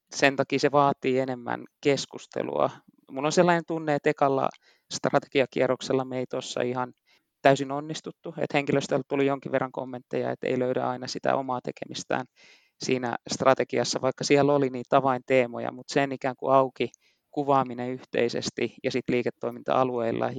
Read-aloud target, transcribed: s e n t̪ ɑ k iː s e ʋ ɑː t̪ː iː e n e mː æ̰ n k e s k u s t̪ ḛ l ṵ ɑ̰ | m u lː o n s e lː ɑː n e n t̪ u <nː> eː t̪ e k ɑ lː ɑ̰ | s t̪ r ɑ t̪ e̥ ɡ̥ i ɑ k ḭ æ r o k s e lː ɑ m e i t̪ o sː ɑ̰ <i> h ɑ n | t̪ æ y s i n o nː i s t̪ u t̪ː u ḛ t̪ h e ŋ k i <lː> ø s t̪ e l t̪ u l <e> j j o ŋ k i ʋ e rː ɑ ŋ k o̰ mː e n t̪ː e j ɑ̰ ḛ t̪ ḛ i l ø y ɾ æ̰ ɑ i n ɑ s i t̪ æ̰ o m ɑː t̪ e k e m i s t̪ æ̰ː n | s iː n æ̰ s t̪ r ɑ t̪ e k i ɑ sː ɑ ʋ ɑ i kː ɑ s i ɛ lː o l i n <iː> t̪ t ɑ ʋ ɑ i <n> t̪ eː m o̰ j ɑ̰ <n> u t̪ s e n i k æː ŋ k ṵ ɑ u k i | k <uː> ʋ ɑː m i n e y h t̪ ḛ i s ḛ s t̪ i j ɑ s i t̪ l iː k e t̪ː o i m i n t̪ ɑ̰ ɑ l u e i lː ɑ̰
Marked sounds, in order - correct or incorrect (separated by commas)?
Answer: correct, correct, incorrect, incorrect, correct, correct, incorrect, incorrect